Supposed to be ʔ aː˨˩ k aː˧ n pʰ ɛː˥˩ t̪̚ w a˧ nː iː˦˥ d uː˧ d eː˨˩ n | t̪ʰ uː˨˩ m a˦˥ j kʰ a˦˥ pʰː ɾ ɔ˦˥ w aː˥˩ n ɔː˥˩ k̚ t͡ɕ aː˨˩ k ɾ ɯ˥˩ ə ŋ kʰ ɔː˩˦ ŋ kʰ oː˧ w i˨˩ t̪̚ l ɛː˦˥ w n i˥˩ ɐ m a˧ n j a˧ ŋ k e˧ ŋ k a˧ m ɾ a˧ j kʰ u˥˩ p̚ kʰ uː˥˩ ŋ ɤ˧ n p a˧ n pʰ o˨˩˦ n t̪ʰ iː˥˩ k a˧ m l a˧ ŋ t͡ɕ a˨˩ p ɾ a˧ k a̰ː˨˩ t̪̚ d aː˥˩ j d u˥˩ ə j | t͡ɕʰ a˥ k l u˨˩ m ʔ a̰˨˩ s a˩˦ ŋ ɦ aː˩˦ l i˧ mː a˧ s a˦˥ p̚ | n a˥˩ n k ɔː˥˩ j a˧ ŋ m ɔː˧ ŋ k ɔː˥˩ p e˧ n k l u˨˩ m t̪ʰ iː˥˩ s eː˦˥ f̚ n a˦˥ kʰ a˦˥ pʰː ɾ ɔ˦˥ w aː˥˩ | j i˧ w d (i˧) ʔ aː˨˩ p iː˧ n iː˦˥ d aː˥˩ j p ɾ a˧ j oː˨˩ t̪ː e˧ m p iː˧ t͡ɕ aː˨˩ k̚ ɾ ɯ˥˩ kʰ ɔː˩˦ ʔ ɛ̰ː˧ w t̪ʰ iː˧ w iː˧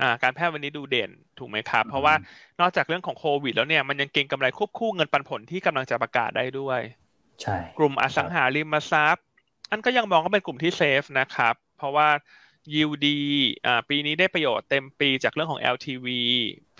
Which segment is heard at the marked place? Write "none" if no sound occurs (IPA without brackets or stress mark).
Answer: iː˧